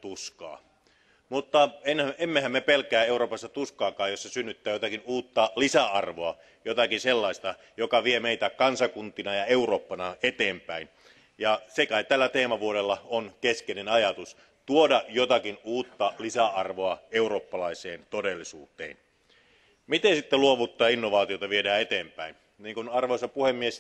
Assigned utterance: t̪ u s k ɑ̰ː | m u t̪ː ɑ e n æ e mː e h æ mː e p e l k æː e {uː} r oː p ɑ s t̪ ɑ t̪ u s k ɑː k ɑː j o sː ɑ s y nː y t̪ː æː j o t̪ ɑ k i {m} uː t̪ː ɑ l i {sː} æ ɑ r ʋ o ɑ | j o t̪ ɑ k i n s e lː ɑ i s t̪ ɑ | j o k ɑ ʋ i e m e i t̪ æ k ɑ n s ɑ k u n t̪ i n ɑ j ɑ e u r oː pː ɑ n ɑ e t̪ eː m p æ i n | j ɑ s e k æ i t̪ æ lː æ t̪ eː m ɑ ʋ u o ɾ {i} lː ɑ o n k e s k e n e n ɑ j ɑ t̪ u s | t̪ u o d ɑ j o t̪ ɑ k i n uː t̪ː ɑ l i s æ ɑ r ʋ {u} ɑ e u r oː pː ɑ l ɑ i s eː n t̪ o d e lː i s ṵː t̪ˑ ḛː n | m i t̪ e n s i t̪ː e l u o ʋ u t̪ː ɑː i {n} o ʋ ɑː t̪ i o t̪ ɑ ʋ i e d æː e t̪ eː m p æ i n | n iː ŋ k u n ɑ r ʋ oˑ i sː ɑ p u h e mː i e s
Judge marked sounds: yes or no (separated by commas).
no, no, no, no, no, no